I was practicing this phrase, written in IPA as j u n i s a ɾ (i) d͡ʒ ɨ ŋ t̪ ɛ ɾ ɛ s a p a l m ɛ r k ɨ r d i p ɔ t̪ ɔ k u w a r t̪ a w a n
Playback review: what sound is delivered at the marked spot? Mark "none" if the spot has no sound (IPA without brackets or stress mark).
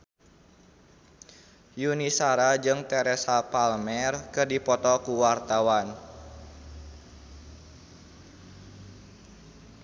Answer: a